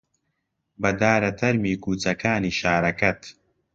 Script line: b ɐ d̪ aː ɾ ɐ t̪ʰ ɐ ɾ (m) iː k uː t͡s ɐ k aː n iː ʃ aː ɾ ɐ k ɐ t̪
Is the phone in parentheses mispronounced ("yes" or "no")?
no